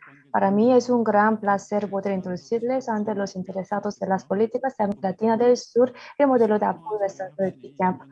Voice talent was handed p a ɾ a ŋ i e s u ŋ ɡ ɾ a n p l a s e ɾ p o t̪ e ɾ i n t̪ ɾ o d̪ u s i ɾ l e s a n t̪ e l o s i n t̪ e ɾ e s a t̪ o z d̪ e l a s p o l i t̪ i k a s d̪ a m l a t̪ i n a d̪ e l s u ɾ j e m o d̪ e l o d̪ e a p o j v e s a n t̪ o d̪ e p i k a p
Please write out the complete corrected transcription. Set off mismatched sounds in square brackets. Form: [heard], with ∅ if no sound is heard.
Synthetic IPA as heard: p a ɾ a [m] i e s u ŋ ɡ ɾ a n p l a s e ɾ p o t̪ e ɾ i n t̪ ɾ o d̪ u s i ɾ l e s a n t̪ e l o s i n t̪ e ɾ e s a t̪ o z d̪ e l a s p o l i t̪ i k a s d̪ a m l a t̪ i n a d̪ e l s u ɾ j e m o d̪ e l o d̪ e a p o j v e s a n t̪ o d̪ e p i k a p